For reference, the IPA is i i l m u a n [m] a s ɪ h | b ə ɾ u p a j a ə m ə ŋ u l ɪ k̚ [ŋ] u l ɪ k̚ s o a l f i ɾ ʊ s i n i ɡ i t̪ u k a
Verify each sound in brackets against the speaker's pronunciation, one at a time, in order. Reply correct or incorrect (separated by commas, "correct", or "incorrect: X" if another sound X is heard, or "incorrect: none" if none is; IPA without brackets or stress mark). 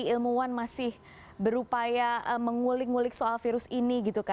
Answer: correct, correct